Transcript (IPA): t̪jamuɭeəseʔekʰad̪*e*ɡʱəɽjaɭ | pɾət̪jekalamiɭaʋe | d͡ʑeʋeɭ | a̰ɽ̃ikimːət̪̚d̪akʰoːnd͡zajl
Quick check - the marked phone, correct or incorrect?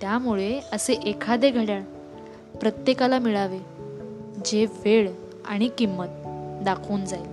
correct